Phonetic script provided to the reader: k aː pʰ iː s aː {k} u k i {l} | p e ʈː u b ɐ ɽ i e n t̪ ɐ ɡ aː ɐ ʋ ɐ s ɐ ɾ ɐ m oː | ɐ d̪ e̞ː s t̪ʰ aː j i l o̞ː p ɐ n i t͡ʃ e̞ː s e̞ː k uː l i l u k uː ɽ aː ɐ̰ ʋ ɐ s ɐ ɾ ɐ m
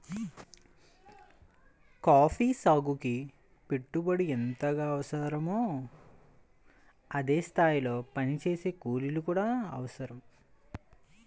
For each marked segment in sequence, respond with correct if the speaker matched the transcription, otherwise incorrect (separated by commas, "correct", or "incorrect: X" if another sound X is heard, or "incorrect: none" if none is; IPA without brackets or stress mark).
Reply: incorrect: ɡ, incorrect: none